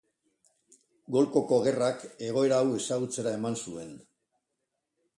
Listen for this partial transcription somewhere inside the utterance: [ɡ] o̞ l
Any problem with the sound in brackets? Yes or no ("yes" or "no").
no